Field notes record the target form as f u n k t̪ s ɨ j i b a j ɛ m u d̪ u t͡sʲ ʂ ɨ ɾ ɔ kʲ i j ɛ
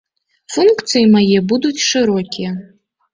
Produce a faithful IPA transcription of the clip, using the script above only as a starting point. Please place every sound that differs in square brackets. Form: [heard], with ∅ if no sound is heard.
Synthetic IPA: f u n k t̪ s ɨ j i [m] a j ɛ [b] u d̪ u t͡sʲ ʂ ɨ ɾ ɔ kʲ i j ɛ